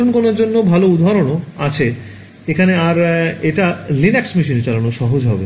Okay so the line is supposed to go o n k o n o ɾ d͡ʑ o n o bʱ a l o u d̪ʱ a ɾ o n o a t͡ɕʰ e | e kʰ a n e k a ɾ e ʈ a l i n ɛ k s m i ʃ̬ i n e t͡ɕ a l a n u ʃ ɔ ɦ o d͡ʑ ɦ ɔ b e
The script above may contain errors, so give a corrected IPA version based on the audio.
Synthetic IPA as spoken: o n k o n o ɾ d͡ʑ o nː o bʱ a l o u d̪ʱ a ɾ o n o a t͡ɕʰ e | e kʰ a n e a ɾ e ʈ a l i n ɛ k s m i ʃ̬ i n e t͡ɕ a l a n o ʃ ɔ ɦ o d͡ʑ ɦ ɔ b e